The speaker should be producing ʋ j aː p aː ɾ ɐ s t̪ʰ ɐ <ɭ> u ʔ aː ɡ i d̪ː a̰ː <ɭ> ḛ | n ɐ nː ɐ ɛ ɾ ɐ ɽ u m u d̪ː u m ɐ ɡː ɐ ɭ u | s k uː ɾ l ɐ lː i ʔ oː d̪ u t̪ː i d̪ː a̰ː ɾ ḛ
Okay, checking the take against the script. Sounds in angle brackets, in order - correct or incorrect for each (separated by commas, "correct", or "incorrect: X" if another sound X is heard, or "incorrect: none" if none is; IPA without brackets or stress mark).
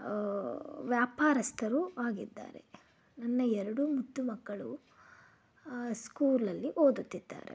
incorrect: ɾ, incorrect: ɾ